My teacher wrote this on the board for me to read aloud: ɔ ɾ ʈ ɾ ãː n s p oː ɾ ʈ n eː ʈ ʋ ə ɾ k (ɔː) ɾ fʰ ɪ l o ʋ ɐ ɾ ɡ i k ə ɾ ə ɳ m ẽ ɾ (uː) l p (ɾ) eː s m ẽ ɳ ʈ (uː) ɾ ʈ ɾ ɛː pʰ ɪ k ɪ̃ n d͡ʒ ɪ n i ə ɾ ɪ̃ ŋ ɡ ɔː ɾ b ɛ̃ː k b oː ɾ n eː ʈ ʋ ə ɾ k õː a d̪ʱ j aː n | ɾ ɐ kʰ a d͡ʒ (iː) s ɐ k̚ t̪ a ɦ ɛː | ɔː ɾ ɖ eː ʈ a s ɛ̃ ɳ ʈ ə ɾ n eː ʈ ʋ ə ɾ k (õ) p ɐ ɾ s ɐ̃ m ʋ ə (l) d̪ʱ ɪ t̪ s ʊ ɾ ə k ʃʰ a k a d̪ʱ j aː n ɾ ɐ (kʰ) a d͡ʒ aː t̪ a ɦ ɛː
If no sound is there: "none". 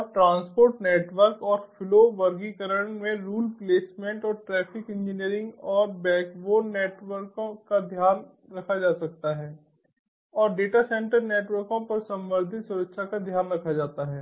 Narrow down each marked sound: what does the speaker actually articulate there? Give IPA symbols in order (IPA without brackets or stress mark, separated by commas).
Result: ɔː, uː, l, ɔː, aː, õ, ɾ, kʰ